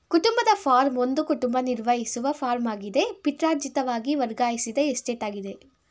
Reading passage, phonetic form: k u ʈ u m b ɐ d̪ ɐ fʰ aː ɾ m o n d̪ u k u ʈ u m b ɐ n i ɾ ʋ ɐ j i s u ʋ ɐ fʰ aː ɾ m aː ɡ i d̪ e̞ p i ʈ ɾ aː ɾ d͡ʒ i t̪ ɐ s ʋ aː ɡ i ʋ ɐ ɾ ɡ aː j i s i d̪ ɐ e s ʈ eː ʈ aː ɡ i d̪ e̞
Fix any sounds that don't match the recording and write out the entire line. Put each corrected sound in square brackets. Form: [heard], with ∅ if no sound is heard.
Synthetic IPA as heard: k u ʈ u m b ɐ d̪ ɐ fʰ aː ɾ m o n d̪ u k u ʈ u m b ɐ n i ɾ ʋ ɐ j i s u ʋ ɐ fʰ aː ɾ m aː ɡ i d̪ e̞ p i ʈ ɾ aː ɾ d͡ʒ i t̪ ɐ [∅] ʋ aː ɡ i ʋ ɐ ɾ ɡ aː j i s i d̪ ɐ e s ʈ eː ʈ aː ɡ i d̪ e̞